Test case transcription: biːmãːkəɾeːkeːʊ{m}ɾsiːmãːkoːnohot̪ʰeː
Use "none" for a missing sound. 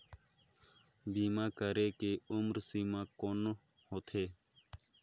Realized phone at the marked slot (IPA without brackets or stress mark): m